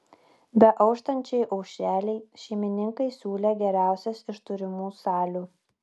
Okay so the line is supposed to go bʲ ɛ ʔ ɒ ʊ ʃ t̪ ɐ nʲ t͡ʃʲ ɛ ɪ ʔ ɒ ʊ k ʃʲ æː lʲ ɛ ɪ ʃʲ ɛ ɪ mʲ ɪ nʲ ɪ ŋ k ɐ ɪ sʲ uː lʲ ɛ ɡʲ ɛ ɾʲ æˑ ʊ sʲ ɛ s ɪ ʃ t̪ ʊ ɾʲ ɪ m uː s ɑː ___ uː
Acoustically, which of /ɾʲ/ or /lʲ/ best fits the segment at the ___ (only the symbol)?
lʲ